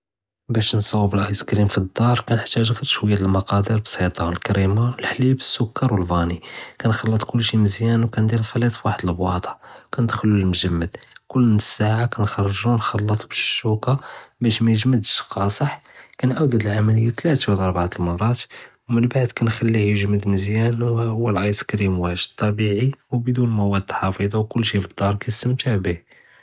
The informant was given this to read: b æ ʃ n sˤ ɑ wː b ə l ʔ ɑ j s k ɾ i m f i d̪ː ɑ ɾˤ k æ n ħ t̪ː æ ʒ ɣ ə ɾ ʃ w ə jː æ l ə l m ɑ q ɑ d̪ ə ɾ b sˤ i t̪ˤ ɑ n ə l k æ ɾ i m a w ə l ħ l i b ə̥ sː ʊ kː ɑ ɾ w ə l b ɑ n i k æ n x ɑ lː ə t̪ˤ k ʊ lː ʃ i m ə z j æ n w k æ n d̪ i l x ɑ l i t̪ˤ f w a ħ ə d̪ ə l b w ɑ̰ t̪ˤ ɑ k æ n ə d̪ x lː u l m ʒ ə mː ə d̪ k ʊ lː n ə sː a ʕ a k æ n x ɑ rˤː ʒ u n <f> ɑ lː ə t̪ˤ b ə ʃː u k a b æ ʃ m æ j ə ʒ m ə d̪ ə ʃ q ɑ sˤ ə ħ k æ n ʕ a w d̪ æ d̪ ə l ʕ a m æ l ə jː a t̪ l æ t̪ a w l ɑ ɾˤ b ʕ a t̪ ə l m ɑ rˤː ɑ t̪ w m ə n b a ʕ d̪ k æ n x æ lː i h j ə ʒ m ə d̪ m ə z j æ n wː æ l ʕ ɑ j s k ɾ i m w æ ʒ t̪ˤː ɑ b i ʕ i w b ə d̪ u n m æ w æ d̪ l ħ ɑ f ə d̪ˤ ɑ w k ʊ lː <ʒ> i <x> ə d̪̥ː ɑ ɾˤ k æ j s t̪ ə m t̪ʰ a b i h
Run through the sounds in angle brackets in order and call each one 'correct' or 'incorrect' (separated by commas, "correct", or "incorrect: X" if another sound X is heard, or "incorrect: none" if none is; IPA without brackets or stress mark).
incorrect: x, incorrect: ʃ, incorrect: f